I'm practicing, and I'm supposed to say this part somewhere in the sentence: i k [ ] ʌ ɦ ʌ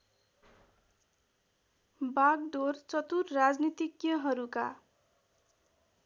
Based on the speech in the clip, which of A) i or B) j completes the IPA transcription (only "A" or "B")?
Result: B